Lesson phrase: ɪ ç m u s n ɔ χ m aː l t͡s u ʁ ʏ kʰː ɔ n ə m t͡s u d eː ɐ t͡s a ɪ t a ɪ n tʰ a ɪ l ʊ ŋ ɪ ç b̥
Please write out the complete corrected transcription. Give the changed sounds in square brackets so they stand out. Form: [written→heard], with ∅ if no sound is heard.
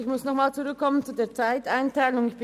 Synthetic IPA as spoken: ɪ ç m [u→ʊ] s n ɔ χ m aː l t͡s u ʁ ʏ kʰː ɔ [n→m] ə [m→n] t͡s u d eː ɐ t͡s a ɪ t a ɪ n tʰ a ɪ l ʊ ŋ ɪ ç b̥